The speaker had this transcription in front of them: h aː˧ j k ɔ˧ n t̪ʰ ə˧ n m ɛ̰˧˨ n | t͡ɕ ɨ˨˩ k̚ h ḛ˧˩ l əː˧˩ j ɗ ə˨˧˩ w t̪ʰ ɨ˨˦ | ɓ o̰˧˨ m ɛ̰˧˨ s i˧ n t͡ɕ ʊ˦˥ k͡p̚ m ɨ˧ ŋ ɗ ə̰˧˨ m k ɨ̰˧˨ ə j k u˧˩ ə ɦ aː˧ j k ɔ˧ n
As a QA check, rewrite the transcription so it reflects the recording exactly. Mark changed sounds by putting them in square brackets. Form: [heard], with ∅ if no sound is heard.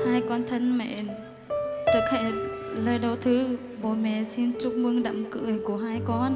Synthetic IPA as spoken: h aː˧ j k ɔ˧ n t̪ʰ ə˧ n m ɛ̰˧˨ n | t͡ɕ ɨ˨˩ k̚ h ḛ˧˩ l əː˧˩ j ɗ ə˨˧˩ w t̪ʰ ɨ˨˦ | ɓ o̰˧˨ m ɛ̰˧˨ s i˧ n t͡ɕ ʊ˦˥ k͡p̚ m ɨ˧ ŋ ɗ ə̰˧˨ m k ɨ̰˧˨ ə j k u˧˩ ə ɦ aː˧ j k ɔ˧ n

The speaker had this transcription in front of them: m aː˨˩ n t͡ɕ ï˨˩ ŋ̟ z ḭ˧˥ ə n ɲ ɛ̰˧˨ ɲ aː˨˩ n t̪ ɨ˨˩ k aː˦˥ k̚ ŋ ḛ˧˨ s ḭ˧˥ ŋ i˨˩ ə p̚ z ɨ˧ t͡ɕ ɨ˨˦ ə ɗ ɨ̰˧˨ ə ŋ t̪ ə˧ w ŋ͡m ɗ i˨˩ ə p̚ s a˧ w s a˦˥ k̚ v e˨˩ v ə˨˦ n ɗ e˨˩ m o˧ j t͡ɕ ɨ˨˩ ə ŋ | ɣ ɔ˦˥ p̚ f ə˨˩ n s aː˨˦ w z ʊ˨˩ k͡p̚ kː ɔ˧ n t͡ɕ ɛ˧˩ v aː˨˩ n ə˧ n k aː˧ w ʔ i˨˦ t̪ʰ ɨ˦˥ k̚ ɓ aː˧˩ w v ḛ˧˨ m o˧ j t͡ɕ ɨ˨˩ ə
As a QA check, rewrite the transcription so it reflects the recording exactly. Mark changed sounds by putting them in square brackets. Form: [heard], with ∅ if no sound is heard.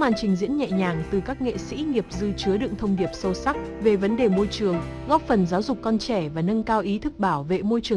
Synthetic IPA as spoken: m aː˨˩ n t͡ɕ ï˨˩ ŋ̟ z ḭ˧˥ ə n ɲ ɛ̰˧˨ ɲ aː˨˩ [ŋ] t̪ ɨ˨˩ k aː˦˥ k̚ ŋ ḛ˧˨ s ḭ˧˥ ŋ i˨˩ ə p̚ z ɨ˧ t͡ɕ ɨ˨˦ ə ɗ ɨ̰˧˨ ə ŋ [t̪ʰ] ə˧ w ŋ͡m ɗ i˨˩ ə p̚ s [ə˧] w s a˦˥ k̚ v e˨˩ v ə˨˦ n ɗ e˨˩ m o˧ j t͡ɕ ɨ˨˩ ə ŋ | ɣ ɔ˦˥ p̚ f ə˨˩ n [z] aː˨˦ w z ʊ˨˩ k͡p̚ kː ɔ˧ n t͡ɕ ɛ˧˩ v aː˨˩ n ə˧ n k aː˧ w ʔ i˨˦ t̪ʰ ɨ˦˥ k̚ ɓ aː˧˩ w v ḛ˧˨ m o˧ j t͡ɕ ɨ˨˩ ə

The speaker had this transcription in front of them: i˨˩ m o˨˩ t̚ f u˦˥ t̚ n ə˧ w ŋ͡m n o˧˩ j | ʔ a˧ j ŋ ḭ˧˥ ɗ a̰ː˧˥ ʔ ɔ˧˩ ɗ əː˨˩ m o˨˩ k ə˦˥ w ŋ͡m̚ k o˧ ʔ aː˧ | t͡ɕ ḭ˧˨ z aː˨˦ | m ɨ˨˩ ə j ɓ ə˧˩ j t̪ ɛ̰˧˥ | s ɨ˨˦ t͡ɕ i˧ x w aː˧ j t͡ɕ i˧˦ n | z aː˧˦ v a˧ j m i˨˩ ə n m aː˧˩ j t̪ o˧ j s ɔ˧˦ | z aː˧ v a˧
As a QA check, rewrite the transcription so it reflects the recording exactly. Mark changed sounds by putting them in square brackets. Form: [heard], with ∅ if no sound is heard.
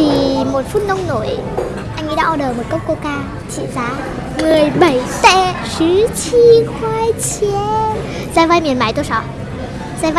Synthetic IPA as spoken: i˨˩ m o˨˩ t̚ f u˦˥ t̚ n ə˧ w ŋ͡m n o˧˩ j | ʔ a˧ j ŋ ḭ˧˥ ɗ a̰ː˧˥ ʔ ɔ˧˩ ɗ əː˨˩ m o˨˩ k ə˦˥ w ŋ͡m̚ k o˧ [k] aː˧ | t͡ɕ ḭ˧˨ z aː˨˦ | m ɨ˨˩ ə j ɓ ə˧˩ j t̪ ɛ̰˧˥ | s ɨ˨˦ t͡ɕ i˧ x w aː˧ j t͡ɕ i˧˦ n | z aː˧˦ v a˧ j m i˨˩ ə n m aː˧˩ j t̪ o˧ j s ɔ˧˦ | z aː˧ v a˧

